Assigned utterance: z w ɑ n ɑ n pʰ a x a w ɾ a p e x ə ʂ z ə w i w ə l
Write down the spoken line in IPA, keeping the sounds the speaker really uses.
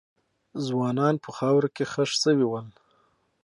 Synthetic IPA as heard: z w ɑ n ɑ n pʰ ə x ɑ w ɾ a k e x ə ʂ s ə w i w ə l